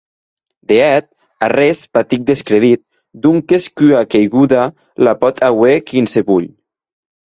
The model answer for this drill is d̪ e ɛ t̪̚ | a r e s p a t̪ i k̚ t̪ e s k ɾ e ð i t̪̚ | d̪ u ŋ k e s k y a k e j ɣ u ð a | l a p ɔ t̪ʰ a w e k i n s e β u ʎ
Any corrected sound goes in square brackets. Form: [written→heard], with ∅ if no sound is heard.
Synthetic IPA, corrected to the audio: d̪ e ɛ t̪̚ | a r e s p a t̪ i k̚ [t̪→d̪] e s k ɾ e ð i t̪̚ | d̪ u ŋ k e s k y a k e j ɣ u ð a | l a p ɔ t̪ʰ a w e k i n s e β u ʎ